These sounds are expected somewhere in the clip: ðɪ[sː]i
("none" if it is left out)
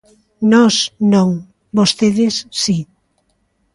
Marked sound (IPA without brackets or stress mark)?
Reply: sː